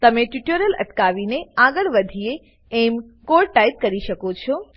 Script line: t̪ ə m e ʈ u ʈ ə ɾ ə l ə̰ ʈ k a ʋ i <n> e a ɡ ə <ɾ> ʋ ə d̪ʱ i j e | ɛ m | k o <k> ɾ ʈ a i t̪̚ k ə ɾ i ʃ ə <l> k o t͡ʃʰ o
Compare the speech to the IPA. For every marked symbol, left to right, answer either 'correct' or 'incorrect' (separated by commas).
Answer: correct, incorrect, incorrect, incorrect